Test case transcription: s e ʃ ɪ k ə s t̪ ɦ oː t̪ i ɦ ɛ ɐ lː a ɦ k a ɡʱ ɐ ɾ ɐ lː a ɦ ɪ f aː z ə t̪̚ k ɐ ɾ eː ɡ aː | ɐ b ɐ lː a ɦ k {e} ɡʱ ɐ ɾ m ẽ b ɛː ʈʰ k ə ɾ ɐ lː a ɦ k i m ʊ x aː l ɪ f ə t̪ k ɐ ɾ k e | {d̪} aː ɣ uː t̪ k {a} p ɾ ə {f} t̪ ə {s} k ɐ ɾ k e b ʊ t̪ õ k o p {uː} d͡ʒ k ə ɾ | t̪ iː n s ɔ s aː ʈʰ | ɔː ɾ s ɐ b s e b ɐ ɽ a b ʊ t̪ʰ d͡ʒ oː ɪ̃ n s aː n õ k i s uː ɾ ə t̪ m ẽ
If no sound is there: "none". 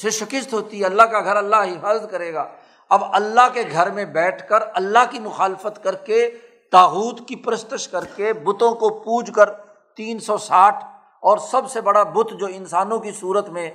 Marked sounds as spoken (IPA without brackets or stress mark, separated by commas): e, t̪, i, s, ʃ, uː